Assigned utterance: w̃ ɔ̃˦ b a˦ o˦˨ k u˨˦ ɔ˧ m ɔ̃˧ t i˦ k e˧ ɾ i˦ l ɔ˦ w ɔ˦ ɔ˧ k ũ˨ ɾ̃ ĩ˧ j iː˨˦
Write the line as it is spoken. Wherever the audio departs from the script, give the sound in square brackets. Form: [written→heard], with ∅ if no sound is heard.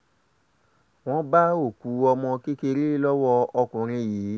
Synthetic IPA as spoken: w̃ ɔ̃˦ b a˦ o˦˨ k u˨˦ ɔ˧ m ɔ̃˧ [t→k] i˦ k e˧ ɾ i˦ l ɔ˦ w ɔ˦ ɔ˧ k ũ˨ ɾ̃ ĩ˧ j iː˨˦